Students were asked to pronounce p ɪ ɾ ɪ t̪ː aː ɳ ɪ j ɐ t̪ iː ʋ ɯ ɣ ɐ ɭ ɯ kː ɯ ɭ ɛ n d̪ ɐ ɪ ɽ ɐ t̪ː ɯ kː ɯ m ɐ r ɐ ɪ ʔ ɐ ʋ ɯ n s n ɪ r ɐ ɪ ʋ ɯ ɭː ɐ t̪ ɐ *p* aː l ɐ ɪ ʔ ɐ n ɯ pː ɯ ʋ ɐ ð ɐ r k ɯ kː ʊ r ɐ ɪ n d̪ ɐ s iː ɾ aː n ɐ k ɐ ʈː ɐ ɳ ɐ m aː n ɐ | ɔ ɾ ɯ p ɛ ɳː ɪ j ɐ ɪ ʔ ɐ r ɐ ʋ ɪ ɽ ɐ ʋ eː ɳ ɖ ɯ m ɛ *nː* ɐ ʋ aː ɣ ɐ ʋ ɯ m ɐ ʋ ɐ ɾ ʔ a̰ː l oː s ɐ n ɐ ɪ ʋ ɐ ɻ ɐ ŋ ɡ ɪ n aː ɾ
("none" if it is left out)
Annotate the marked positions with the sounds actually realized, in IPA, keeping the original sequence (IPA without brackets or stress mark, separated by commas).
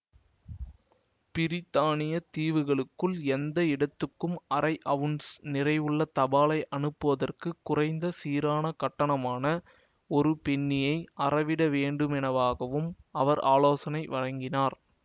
b, n